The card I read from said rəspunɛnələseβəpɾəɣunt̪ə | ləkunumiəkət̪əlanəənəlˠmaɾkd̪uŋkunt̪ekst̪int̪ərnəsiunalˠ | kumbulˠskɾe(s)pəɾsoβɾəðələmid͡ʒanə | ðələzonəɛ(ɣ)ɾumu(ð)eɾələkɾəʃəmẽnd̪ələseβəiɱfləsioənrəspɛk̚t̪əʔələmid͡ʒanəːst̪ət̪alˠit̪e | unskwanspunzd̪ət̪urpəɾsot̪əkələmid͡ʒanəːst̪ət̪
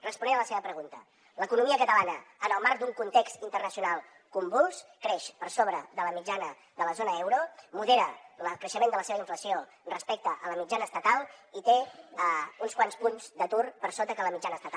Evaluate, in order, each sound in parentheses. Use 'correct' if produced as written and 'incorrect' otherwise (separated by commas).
incorrect, incorrect, correct